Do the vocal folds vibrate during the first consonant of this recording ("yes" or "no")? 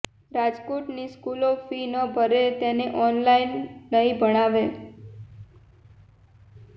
yes